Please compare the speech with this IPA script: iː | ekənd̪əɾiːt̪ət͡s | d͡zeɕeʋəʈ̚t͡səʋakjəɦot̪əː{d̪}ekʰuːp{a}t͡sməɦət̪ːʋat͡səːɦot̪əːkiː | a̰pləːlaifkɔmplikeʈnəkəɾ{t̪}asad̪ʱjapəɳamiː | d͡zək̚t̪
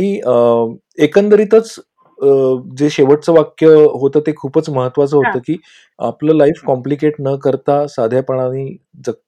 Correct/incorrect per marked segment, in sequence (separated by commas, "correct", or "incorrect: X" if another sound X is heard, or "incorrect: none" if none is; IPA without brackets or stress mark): incorrect: t̪, incorrect: ə, correct